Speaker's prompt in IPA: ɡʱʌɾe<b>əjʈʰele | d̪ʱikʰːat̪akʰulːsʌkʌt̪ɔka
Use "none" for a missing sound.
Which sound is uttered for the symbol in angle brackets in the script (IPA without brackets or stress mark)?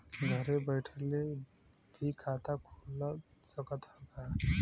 b